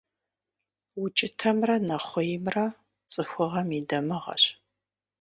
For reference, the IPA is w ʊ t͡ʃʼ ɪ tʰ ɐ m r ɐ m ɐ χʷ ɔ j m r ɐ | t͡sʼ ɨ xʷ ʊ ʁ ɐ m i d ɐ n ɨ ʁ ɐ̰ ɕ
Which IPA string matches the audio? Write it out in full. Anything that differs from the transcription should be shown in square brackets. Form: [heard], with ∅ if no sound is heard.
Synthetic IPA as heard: w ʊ t͡ʃʼ ɪ tʰ ɐ m r ɐ [n] ɐ χʷ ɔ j m r ɐ | t͡sʼ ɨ xʷ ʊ ʁ ɐ m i d ɐ [m] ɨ ʁ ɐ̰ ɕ